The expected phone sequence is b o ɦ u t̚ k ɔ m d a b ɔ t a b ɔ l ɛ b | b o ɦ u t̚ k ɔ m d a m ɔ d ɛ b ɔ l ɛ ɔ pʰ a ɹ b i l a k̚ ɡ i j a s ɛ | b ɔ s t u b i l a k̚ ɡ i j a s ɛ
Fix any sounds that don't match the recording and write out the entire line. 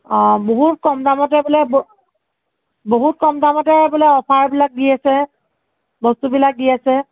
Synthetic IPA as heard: b o ɦ u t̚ k ɔ m d a m ɔ t ɛ b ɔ l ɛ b | b o ɦ u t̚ k ɔ m d a m ɔ t ɛ b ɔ l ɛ ɔ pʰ a ɹ b i l a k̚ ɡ i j a s ɛ | b ɔ s t u b i l a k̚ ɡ i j a s ɛ